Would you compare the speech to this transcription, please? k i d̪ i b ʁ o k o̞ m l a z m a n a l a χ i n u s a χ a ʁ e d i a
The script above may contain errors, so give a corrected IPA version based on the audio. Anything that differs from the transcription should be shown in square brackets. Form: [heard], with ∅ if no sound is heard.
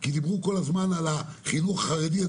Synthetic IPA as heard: k i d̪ i b ʁ [u] k o̞ [∅] l a z m a n a l a χ i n u [χ] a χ a ʁ e d i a